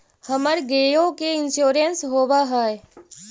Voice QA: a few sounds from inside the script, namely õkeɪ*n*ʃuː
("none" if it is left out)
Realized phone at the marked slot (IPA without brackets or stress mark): n